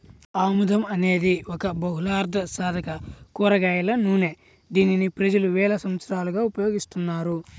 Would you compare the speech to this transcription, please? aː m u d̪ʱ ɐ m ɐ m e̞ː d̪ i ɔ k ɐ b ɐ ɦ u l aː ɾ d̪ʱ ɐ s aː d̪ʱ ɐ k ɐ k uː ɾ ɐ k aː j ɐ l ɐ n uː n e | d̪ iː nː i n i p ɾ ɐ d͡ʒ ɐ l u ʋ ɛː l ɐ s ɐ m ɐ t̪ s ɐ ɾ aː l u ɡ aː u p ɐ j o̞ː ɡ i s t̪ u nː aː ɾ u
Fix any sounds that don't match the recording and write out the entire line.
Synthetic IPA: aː m u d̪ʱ ɐ m ɐ n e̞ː d̪ i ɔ k ɐ b ɐ ɦ u l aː ɾ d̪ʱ ɐ s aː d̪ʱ ɐ k ɐ k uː ɾ ɐ ɡ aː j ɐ l ɐ n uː n e | d̪ iː n i n i p ɾ ɐ d͡ʒ ɐ l u ʋ ɛː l ɐ s ɐ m ɐ t̪ s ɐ ɾ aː l u ɡ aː u p ɐ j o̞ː ɡ i s t̪ u nː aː ɾ u